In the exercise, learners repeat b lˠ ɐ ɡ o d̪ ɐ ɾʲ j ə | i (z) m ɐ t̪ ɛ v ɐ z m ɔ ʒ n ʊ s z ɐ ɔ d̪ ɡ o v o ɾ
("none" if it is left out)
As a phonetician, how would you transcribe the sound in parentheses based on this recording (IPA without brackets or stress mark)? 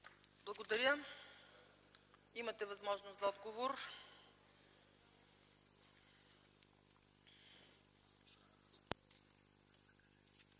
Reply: none